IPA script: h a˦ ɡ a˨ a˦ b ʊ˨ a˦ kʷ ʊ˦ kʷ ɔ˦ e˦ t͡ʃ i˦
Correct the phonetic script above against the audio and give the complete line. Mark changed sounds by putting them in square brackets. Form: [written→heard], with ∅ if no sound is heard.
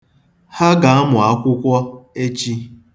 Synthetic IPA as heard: h a˦ ɡ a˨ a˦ [b→m] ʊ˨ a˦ kʷ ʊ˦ kʷ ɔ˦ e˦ t͡ʃ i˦